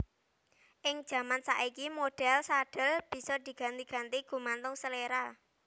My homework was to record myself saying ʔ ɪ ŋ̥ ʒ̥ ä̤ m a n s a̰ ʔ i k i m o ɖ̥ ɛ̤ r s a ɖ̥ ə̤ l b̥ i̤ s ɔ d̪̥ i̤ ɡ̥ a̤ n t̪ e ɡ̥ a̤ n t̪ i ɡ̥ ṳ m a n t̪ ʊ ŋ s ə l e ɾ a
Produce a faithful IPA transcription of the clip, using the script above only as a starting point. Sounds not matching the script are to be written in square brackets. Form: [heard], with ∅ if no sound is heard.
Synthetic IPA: ʔ ɪ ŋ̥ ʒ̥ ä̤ m a n s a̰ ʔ i k i m o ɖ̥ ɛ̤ [l] s a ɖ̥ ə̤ l b̥ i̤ s ɔ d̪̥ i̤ ɡ̥ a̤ n t̪ [i] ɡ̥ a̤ n t̪ i ɡ̥ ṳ m a n t̪ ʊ ŋ s ə l e ɾ a